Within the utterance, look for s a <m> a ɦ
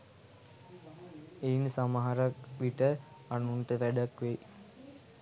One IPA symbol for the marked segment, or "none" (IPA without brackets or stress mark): m